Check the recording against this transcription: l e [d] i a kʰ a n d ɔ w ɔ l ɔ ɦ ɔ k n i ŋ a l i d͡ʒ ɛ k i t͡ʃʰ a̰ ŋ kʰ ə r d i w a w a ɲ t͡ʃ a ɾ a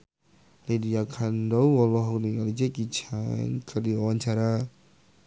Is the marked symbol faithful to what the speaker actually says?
yes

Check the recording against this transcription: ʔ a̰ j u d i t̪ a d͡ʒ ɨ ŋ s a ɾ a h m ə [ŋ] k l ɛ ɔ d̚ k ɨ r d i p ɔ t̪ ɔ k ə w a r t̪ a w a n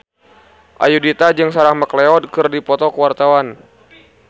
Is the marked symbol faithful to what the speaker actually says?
no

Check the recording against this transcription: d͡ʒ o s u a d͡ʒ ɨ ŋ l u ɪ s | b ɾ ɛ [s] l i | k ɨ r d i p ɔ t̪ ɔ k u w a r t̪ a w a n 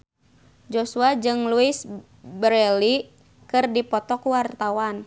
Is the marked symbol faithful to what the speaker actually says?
no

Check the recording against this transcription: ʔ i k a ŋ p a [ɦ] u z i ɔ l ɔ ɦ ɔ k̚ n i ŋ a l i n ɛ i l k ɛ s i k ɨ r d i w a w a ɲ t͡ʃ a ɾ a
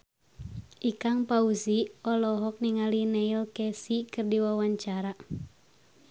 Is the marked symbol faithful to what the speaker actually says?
no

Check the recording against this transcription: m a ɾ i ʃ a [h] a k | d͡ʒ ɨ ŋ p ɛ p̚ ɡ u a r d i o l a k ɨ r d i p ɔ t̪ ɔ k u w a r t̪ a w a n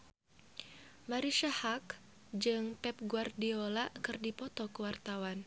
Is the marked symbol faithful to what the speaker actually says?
yes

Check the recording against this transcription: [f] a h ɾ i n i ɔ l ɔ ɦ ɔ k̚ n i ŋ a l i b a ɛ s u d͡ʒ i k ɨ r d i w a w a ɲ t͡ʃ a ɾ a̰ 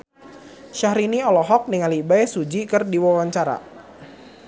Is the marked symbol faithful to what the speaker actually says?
no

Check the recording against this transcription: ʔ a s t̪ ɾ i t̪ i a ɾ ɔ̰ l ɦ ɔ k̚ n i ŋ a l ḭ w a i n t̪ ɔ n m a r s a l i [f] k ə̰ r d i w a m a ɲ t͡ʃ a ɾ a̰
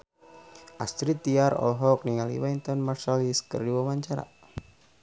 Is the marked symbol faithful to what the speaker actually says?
no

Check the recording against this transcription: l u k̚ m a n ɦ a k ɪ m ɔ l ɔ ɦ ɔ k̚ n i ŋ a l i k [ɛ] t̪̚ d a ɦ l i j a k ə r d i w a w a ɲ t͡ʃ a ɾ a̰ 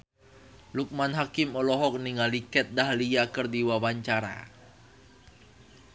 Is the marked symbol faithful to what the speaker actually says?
yes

